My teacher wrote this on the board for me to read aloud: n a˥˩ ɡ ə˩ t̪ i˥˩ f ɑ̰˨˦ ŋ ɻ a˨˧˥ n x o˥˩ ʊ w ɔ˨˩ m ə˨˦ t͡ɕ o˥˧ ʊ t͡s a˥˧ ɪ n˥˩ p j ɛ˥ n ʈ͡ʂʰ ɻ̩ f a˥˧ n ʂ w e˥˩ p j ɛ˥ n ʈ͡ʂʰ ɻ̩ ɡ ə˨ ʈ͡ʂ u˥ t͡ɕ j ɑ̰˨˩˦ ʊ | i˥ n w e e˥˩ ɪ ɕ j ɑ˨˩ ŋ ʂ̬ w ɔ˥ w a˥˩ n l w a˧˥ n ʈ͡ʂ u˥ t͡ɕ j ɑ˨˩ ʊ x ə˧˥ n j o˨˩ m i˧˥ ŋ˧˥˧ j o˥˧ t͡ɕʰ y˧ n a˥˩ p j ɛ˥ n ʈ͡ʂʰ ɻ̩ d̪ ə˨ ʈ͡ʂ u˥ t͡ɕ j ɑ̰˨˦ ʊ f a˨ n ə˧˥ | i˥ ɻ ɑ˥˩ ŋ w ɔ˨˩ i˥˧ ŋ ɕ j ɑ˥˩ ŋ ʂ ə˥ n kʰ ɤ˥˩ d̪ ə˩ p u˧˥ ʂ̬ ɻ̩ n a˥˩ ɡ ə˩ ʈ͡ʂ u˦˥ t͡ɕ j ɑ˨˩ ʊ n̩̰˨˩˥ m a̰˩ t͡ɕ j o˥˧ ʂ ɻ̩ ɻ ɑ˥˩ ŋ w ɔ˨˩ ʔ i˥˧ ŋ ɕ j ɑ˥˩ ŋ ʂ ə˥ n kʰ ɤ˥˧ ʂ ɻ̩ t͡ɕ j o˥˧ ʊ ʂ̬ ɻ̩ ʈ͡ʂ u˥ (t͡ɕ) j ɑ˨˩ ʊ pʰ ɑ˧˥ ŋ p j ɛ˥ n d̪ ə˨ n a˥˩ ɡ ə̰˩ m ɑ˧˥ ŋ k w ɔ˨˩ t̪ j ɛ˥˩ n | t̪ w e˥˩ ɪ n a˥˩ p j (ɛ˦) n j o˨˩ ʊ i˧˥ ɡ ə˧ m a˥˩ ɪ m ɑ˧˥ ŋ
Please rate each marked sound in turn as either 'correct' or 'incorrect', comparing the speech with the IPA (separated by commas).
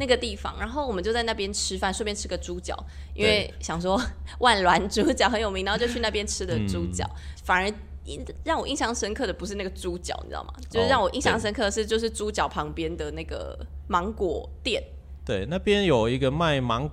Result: correct, correct